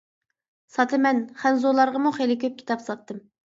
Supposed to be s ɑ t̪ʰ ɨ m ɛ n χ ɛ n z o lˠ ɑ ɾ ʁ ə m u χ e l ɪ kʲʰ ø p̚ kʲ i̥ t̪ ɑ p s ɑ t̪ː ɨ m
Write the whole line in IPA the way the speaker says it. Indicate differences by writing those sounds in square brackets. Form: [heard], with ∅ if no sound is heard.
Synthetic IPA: s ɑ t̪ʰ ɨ m ɛ n χ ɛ n z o lˠ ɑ ɾ ʁ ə m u χ e l ɪ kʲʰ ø p̚ kʲ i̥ t̪ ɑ p s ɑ t̪ː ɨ m